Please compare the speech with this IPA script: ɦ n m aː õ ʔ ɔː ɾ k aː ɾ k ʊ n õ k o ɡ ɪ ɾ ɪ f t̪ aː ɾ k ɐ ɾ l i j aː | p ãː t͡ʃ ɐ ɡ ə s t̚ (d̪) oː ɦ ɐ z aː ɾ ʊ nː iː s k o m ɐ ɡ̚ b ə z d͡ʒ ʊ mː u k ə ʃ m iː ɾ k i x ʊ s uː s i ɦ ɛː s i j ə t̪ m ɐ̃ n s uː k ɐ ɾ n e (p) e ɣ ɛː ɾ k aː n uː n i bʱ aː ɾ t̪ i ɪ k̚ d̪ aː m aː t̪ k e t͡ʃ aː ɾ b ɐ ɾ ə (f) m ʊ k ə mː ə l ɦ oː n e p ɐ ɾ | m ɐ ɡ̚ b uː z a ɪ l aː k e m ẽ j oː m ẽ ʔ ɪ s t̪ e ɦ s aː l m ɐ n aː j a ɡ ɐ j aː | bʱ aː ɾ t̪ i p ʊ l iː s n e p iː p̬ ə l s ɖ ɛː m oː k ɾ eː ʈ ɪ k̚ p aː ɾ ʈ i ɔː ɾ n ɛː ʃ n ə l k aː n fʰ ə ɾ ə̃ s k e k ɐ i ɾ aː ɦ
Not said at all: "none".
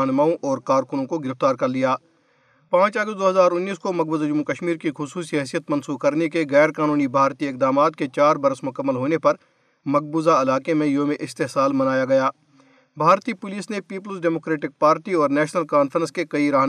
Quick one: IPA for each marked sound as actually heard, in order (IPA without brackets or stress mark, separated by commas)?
d̪, k, s